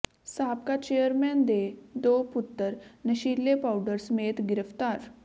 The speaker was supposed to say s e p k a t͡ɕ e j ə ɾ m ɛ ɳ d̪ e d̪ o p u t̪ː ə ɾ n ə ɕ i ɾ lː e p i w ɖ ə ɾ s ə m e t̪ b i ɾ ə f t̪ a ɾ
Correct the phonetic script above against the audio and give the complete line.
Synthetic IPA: s a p k a t͡ɕ e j ə ɾ m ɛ n d̪ e d̪ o p u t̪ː ə ɾ n ə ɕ i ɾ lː e p a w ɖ ə ɾ s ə m e t̪ ɡ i ɾ ə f t̪ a ɾ